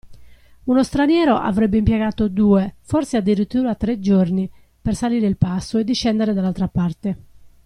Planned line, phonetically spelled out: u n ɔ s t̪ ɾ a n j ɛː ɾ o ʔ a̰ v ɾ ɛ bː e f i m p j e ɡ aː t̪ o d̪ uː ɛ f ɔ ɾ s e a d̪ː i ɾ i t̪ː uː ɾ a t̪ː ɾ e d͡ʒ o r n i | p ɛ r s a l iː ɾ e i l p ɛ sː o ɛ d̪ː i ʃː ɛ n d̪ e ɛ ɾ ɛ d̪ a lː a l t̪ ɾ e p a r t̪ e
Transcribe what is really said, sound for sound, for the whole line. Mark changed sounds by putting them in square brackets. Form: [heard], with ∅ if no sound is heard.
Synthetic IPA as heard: u n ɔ s t̪ ɾ a n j ɛː ɾ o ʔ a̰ v ɾ ɛ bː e [∅] i m p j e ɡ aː t̪ o d̪ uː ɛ f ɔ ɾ s e a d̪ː i ɾ i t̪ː uː ɾ a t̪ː ɾ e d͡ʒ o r n i | p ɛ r s a l iː ɾ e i l p [a] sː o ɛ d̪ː i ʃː ɛ n d̪ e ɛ ɾ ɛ d̪ a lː a l t̪ ɾ [a] p a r t̪ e